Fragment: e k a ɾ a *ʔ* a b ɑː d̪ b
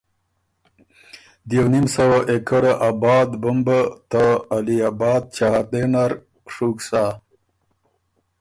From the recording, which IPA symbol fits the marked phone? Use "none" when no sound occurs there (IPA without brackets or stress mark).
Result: ʔ